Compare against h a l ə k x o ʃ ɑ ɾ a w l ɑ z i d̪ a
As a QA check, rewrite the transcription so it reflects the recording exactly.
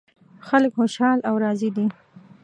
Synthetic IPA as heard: x a l ə k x o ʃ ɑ l a w ɾ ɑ z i d̪ i